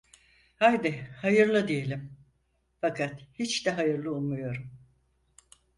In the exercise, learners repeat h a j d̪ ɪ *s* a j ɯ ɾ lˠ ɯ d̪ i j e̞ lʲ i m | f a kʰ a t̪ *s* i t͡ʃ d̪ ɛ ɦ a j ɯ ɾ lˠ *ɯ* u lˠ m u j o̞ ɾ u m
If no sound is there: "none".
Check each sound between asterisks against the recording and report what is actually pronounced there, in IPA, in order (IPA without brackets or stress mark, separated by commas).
h, h, ɯ